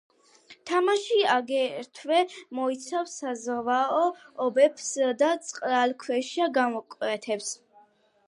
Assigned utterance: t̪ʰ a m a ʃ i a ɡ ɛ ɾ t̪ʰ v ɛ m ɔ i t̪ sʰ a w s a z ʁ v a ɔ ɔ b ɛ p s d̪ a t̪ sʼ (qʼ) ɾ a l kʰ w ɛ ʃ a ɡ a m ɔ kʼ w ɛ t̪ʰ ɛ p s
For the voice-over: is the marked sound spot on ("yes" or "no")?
yes